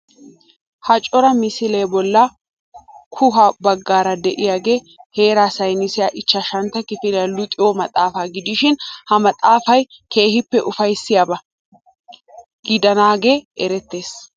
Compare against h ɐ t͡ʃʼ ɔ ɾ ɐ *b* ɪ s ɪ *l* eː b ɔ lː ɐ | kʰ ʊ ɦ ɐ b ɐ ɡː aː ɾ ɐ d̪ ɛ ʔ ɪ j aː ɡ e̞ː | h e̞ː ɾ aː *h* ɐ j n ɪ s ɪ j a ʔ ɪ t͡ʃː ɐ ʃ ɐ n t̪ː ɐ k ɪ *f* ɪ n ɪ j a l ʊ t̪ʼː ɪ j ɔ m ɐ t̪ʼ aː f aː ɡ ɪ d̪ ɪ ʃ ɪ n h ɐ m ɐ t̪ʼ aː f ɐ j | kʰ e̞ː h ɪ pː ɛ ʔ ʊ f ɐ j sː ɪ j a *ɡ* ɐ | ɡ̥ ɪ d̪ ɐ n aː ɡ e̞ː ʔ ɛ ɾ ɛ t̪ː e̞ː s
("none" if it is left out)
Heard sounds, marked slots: m, l, s, f, b

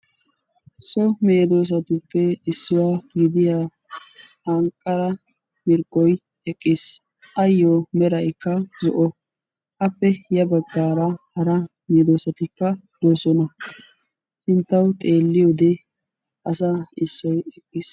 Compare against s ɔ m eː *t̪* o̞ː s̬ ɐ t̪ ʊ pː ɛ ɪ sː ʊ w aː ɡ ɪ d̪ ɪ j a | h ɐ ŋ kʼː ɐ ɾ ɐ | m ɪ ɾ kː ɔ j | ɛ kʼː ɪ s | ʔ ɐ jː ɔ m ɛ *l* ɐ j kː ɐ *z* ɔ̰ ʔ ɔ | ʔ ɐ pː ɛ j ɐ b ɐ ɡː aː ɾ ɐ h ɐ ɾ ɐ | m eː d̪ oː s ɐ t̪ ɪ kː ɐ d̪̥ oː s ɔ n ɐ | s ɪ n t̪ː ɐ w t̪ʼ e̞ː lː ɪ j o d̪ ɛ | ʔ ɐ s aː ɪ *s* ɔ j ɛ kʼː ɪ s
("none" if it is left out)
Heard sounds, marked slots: d̪, ɾ, z, sː

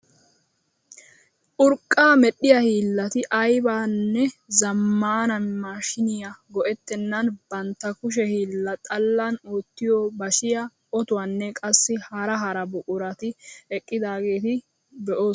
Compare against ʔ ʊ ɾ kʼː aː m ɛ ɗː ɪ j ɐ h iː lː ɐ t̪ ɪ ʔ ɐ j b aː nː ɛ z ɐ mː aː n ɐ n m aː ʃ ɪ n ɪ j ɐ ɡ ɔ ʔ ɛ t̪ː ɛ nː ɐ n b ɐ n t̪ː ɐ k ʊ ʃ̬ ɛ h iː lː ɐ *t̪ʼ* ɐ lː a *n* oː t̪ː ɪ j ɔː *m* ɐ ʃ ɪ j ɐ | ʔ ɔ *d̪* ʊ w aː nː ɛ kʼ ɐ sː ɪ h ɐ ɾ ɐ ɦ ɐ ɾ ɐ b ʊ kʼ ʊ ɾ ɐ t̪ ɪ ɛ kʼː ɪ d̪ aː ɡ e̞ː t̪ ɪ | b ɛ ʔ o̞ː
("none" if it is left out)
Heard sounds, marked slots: t̪ʼ, n, b, t̪

